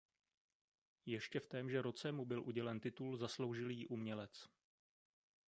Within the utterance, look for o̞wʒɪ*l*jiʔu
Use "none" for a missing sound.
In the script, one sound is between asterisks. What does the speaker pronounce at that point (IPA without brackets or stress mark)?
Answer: l